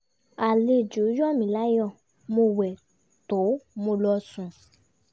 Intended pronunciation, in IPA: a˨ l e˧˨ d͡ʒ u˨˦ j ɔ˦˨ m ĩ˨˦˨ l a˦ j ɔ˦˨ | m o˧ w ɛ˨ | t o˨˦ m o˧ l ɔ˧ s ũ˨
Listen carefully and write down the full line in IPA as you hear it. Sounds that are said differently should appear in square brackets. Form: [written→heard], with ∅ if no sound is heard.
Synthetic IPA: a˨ l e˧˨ d͡ʒ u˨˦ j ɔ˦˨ m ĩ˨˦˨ l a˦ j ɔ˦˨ | m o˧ w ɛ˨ | t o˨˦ m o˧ l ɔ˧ s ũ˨